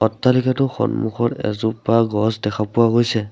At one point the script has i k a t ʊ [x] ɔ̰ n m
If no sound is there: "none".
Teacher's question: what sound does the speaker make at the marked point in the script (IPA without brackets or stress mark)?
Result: x